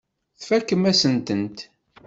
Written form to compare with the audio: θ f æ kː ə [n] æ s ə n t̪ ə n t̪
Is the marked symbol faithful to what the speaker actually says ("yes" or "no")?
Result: no